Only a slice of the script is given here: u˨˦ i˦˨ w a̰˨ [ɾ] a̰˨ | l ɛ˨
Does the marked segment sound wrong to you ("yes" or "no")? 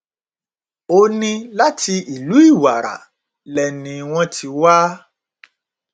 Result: no